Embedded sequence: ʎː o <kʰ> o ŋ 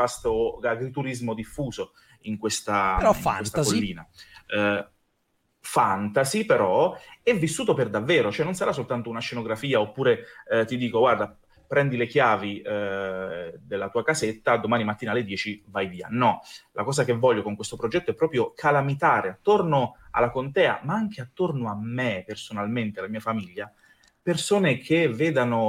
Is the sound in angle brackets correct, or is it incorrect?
incorrect